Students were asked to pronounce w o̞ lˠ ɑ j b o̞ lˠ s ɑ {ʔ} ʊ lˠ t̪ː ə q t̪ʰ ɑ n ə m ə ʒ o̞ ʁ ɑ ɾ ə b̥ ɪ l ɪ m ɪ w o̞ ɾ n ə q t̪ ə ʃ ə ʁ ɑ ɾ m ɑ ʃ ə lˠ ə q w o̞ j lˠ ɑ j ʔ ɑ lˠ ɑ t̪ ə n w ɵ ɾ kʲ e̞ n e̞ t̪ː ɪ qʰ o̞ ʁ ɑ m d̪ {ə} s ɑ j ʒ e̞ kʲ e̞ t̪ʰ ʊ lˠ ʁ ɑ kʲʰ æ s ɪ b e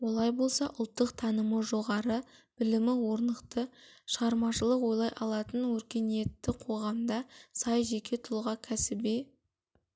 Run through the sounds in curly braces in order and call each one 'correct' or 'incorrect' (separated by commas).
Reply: correct, incorrect